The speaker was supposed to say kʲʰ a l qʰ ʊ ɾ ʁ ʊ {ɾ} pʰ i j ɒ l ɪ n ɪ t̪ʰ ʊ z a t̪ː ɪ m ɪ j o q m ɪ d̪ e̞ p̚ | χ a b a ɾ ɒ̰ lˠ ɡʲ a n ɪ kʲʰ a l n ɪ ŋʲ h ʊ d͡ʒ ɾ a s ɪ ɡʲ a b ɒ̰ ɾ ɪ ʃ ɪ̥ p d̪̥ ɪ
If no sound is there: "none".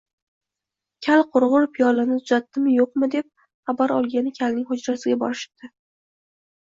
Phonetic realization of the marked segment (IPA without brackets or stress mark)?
ɾ